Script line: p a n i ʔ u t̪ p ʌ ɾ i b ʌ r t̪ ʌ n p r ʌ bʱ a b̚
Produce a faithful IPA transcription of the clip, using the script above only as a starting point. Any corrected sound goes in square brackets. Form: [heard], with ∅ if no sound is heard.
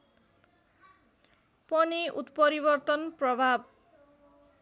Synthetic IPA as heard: p [ʌ] n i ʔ u t̪ p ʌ ɾ i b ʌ r t̪ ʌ n p r ʌ bʱ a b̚